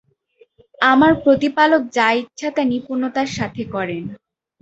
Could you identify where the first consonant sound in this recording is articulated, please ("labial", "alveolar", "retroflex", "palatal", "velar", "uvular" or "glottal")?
labial